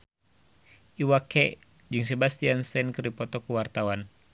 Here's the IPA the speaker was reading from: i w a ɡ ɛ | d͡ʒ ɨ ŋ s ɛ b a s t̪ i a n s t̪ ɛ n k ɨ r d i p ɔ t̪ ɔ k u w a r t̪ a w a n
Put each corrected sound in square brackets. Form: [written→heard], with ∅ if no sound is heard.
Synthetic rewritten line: i w a [ɡ→k] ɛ | d͡ʒ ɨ ŋ s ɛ b a s t̪ i a n s t̪ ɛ n k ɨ r d i p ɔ t̪ ɔ k u w a r t̪ a w a n